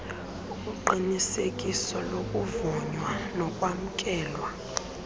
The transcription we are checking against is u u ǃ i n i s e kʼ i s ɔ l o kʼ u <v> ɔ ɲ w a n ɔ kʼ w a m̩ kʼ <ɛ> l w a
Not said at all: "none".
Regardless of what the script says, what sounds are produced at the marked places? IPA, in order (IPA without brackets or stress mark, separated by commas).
v, ɛː